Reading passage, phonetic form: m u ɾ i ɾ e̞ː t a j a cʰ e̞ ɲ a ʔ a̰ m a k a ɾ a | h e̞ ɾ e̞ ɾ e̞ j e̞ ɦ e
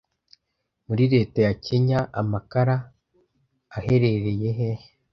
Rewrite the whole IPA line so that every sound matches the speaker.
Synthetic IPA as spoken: m u ɾ i ɾ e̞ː t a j a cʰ e̞ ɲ a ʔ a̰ m a k a ɾ a | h e̞ ɾ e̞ ɾ e̞ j e̞ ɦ e